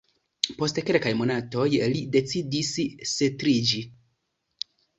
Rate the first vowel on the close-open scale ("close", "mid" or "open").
mid